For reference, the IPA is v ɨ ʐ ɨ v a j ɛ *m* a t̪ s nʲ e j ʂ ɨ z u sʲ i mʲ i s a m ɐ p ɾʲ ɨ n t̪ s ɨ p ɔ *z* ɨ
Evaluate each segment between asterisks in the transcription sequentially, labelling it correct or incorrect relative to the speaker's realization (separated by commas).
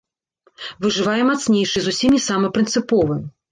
correct, incorrect